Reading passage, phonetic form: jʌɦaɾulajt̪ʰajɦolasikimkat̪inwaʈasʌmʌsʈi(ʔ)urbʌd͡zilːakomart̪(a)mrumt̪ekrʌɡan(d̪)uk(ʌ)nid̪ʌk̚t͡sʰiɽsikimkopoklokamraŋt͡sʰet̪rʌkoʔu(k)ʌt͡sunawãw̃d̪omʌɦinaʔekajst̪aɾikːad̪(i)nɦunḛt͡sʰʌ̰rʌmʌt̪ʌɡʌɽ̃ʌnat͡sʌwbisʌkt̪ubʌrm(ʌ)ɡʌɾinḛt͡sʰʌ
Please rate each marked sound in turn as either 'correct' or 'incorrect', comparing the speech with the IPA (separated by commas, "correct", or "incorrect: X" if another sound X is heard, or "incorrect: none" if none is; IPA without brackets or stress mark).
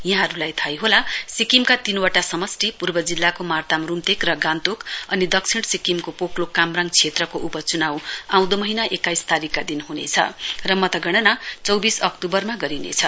incorrect: p, correct, incorrect: t̪, correct, incorrect: p, correct, incorrect: a